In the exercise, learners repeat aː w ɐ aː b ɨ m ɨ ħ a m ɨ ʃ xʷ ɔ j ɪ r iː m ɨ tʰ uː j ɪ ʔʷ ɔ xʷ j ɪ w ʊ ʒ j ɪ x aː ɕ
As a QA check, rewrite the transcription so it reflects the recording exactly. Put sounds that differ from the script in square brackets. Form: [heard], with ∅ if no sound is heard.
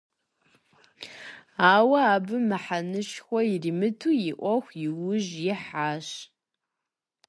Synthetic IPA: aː w ɐ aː b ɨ m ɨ ħ a [n] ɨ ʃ xʷ ɔ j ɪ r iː m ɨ tʰ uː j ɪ ʔʷ ɔ xʷ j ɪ w ʊ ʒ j ɪ [ħ] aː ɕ

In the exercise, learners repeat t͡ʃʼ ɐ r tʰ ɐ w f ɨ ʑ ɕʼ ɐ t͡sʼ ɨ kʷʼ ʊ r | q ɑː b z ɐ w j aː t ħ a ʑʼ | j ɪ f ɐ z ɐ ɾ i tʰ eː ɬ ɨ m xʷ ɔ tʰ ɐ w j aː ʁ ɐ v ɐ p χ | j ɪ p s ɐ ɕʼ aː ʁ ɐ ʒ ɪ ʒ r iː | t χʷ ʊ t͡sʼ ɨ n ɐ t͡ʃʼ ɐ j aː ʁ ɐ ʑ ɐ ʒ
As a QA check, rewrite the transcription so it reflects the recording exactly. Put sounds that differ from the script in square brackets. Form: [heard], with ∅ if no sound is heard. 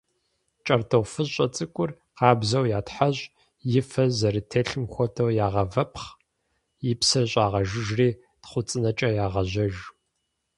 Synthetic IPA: t͡ʃʼ ɐ r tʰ ɐ w f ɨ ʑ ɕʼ ɐ t͡sʼ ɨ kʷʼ ʊ r | q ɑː b z ɐ w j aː t ħ a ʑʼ | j ɪ f ɐ z ɐ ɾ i tʰ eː ɬ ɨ m xʷ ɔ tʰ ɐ w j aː ʁ ɐ v ɐ p χ | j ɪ p s ɐ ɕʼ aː ʁ ɐ ʒ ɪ ʒ r iː | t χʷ ʊ t͡sʼ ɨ n ɐ t͡ʃʼ ɐ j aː ʁ ɐ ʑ ɐ ʒ

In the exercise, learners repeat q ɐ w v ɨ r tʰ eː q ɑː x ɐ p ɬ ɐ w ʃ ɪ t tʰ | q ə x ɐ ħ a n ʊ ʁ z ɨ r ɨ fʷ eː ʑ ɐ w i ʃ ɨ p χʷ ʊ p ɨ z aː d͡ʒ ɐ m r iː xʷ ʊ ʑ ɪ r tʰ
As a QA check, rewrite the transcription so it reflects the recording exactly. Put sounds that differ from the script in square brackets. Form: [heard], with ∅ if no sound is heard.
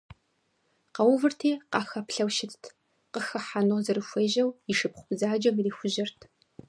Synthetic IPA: q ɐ w v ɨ r tʰ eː q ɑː x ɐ p ɬ ɐ w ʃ ɪ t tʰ | q ə x ɐ ħ a n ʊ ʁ z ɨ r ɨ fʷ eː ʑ ɐ w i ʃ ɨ p χʷ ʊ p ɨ z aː d͡ʒ ɐ m r iː xʷ ʊ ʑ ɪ r tʰ

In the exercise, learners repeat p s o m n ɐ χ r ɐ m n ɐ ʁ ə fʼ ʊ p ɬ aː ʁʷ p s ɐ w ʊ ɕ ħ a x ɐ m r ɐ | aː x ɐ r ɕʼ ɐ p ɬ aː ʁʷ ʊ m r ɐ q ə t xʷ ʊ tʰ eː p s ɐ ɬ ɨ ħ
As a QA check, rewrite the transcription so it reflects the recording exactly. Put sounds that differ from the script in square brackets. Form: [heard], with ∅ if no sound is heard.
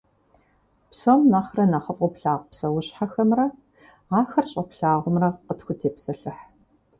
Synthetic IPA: p s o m n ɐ χ r ɐ [∅] n ɐ [χ] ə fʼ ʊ p ɬ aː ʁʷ p s ɐ w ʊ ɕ ħ a x ɐ m r ɐ | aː x ɐ r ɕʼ ɐ p ɬ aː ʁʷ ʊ m r ɐ q ə t xʷ ʊ tʰ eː p s ɐ ɬ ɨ ħ

